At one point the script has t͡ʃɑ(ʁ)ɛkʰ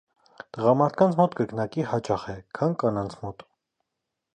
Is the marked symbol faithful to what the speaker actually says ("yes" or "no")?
no